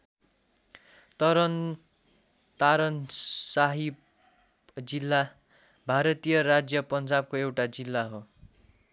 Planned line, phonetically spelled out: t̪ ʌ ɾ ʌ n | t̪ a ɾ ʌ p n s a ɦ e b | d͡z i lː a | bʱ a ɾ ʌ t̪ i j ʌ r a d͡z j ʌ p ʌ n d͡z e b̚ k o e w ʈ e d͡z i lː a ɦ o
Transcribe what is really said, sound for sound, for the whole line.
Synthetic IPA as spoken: t̪ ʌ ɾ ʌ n | t̪ a ɾ ʌ n s a ɦ i b | d͡z i lː a | bʱ a ɾ ʌ t̪ i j ʌ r a d͡z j ʌ p ʌ n d͡z a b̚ k o e w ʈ a d͡z i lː a ɦ o

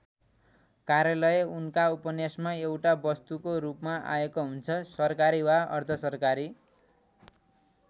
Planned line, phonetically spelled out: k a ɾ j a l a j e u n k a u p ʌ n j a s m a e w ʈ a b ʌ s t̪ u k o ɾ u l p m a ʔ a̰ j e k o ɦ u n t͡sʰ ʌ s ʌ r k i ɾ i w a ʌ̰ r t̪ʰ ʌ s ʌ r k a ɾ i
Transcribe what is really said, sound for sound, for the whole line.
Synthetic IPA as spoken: k a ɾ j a l ʌ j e u n k a u p ʌ n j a s m a e w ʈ a b ʌ s t̪ u k o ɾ u p m a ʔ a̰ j e k o ɦ u n t͡sʰ ʌ s ʌ r k a ɾ i w a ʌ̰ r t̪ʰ ʌ s ʌ r k a ɾ i

